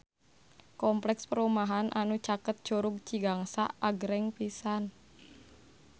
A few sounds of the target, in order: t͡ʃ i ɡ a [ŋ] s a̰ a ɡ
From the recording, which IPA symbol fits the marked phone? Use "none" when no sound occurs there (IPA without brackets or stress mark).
ŋ